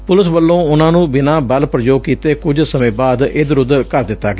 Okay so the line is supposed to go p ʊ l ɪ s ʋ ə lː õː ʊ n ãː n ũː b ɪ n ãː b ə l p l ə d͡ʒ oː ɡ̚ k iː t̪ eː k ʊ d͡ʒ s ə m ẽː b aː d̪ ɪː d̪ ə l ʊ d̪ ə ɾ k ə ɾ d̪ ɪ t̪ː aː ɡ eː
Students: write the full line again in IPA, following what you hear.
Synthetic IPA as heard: p ʊ l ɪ s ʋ ə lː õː ʊ n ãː n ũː b ɪ n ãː b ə l p ɾ ə d͡ʒ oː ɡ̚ k iː t̪ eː k ʊ d͡ʒ s ə m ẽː b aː d̪ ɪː d̪ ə ɾ ʊ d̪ ə ɾ k ə ɾ d̪ ɪ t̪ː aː ɡ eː